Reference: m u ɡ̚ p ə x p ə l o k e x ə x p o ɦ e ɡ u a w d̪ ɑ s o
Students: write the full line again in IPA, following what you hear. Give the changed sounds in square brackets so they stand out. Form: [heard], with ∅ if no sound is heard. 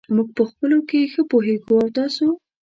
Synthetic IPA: m u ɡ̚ p ə x p ə l o k e x ə [∅] p o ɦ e ɡ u a w [t̪] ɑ s o